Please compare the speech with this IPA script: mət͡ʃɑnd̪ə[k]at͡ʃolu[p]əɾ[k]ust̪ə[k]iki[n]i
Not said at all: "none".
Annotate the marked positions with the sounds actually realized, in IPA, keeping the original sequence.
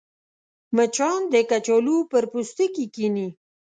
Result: k, p, p, k, n

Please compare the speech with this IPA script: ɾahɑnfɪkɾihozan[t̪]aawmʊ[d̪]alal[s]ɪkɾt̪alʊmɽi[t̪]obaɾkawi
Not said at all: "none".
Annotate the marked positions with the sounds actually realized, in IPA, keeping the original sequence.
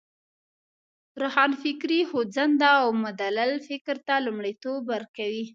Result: d̪, d̪, f, t̪

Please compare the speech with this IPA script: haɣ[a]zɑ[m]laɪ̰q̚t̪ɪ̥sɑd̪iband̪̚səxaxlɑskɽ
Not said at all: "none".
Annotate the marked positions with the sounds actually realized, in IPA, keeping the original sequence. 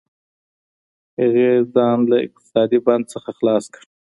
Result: e, n

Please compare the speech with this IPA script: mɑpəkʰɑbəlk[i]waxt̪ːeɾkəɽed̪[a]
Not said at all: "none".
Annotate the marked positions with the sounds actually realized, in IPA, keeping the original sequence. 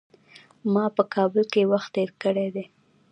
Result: e, e

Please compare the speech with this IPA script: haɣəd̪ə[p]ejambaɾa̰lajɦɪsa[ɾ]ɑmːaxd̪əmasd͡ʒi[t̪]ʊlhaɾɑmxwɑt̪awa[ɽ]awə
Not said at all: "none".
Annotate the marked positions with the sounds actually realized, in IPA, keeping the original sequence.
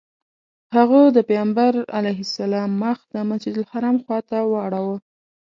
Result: p, l, d̪, ɽ

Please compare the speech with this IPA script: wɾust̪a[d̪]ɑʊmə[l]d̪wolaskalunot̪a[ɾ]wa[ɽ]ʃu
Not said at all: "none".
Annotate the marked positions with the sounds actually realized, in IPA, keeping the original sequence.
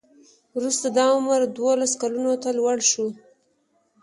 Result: d̪, ɾ, l, ɽ

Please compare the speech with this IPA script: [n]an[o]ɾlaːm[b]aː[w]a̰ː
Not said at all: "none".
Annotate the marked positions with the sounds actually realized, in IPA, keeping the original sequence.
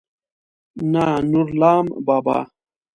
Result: n, u, b, b

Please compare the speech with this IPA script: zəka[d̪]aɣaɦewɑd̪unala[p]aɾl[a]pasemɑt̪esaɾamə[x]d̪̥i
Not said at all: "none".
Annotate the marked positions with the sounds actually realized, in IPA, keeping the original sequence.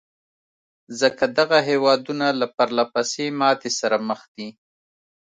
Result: d̪, p, a, x

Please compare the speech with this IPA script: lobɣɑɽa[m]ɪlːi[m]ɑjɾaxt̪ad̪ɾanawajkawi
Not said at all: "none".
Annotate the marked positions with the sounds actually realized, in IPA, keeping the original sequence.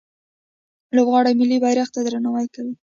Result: m, b

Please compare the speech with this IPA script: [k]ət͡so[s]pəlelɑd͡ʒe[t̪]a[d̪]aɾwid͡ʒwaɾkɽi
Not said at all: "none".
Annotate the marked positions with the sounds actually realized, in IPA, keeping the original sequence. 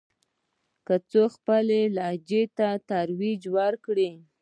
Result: k, x, t̪, t̪

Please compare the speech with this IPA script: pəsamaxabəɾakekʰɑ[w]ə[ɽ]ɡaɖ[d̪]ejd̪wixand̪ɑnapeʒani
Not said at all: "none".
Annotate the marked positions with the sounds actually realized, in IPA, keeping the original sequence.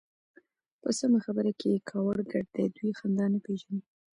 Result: w, ɽ, d̪

